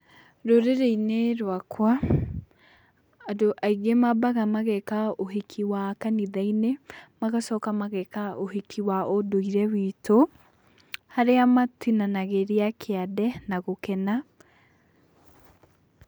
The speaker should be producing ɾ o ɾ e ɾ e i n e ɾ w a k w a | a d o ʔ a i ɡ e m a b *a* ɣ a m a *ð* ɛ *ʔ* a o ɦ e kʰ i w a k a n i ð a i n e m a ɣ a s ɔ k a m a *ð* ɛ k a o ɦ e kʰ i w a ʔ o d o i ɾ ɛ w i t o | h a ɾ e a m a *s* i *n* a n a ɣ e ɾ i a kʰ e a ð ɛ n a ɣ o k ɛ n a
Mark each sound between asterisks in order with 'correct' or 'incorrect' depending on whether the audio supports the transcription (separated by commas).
correct, incorrect, incorrect, incorrect, incorrect, correct